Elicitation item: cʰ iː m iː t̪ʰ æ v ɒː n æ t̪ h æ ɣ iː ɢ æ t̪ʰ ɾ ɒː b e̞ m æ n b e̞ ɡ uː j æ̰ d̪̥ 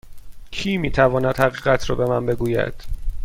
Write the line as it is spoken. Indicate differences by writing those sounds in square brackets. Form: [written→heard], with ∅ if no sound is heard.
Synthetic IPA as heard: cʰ iː m iː t̪ʰ æ v ɒː n æ [t̪→d̪] h æ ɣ iː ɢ æ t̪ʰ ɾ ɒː b e̞ m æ n b e̞ ɡ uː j æ̰ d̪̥